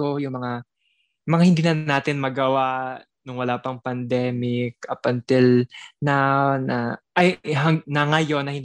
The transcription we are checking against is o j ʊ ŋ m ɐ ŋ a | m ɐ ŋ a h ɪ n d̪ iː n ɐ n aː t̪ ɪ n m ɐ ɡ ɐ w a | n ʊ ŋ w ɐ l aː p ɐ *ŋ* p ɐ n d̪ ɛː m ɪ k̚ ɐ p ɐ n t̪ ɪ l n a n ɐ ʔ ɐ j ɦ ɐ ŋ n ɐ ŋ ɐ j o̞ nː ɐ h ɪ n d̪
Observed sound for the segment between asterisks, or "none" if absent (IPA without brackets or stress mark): ŋ